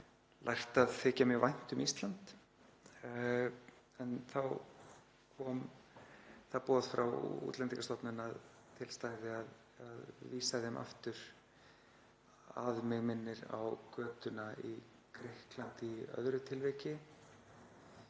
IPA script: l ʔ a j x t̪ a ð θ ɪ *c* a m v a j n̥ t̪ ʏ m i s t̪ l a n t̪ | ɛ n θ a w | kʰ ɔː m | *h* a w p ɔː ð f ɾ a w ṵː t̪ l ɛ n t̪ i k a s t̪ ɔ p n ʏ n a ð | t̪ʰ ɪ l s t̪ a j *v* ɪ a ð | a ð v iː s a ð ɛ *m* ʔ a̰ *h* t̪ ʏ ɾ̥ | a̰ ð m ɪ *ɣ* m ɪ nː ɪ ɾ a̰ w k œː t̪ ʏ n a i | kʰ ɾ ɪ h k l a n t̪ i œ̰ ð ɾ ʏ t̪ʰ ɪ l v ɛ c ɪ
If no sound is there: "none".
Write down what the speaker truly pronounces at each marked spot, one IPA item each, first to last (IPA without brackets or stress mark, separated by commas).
c, θ, ð, m, f, ɣ